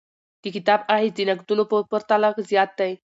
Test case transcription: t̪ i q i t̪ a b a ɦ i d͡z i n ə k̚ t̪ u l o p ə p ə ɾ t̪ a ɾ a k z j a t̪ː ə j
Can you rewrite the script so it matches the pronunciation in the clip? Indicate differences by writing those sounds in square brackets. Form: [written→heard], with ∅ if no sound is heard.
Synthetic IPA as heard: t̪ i [q→k] i t̪ a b a ɦ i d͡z i n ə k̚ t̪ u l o p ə p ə ɾ t̪ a [ɾ→l] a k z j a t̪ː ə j